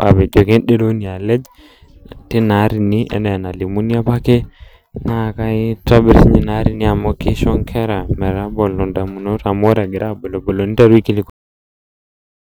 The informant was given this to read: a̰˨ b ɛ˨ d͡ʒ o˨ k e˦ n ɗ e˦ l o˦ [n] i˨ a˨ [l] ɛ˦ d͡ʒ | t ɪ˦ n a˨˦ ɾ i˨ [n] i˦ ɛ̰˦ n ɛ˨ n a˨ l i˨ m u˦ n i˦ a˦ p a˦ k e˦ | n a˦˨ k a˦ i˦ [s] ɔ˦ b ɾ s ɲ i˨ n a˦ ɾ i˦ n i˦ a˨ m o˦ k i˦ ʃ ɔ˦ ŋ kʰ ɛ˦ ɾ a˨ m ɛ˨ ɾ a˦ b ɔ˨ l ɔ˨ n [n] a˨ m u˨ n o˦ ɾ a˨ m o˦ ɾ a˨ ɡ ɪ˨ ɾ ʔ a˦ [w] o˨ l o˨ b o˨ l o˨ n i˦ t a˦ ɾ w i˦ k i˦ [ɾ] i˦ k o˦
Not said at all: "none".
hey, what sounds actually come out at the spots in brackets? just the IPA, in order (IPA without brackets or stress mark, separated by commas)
n, l, n, t, d, b, l